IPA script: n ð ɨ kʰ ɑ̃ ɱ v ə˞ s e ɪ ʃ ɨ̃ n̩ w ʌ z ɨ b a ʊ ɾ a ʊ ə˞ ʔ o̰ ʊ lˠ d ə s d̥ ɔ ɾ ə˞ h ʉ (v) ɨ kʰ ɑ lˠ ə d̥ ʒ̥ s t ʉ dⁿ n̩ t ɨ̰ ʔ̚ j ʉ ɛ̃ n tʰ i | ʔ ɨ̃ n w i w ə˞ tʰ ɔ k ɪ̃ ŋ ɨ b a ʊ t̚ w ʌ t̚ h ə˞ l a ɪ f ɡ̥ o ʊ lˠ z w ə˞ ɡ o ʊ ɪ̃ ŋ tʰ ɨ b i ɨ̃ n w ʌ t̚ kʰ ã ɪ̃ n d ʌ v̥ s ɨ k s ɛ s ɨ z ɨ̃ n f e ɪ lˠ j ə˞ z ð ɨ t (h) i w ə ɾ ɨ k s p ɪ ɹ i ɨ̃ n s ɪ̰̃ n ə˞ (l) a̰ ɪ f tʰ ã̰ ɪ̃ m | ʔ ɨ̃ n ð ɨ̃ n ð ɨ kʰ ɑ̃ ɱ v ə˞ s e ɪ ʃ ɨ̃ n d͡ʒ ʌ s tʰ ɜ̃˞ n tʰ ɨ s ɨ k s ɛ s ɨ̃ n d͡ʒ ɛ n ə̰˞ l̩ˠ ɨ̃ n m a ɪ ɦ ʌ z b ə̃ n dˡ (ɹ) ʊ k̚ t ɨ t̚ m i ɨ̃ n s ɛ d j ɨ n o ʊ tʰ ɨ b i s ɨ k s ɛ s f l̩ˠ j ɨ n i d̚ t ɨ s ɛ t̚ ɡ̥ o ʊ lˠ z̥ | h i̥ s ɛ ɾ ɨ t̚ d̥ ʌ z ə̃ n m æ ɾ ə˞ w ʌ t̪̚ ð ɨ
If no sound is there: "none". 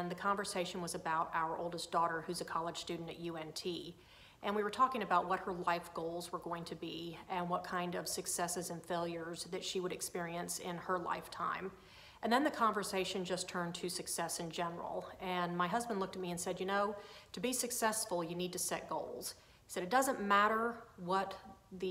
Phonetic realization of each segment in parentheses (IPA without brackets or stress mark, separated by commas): z, ʃ, l, l